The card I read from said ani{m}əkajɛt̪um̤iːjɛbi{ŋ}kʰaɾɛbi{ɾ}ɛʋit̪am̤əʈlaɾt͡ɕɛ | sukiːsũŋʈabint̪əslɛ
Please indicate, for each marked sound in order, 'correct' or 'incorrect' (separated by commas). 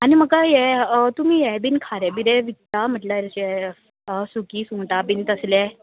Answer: correct, incorrect, correct